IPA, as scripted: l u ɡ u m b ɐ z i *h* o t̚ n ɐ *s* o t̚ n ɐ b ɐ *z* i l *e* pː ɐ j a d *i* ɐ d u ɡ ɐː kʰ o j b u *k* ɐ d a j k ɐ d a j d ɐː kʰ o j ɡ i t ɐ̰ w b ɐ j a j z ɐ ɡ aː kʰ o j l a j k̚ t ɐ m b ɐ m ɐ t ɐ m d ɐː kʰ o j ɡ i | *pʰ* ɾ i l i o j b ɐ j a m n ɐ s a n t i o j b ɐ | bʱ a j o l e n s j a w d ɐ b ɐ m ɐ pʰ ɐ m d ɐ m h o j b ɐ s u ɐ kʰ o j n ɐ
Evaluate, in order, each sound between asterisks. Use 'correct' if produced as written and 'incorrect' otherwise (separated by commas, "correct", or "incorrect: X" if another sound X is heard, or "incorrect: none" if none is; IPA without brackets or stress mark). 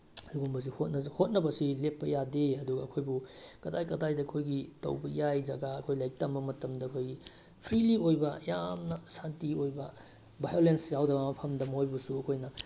correct, incorrect: h, incorrect: s, correct, incorrect: e, correct, correct